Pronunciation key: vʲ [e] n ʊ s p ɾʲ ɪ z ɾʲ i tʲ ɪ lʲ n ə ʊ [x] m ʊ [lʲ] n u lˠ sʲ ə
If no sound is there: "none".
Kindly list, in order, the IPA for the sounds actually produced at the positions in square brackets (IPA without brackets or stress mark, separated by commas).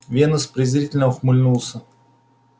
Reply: e, x, lʲ